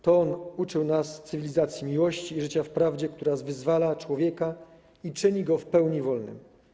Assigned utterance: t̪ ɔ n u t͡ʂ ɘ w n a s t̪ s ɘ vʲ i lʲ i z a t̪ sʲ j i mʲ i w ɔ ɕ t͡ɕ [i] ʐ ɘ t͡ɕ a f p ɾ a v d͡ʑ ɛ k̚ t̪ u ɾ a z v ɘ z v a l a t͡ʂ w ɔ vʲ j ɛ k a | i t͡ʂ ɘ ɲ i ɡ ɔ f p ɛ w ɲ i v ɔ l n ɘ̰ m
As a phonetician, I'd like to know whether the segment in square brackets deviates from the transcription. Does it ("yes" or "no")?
yes